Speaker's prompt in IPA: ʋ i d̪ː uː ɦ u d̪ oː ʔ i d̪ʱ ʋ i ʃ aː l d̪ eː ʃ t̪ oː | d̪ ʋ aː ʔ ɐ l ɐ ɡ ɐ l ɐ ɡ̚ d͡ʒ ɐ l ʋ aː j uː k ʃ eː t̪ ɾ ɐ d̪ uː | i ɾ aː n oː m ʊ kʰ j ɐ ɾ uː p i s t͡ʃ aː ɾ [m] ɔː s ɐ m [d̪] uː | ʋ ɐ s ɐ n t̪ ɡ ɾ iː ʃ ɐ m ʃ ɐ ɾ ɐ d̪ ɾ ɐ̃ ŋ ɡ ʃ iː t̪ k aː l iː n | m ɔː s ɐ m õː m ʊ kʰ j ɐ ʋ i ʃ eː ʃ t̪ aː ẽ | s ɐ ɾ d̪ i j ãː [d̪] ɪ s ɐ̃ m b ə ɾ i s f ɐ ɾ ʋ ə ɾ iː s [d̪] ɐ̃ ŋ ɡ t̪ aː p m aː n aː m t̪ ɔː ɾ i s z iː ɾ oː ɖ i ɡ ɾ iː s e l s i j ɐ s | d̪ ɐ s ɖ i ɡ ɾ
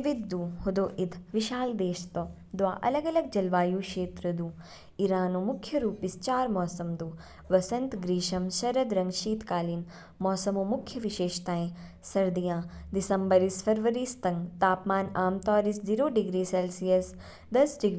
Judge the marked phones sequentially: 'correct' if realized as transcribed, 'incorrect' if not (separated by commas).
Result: correct, correct, correct, incorrect